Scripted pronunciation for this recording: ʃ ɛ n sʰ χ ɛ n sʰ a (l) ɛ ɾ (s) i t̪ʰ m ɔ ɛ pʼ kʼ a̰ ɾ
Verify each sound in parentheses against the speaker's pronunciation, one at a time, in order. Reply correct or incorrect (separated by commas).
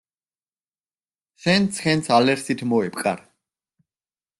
correct, correct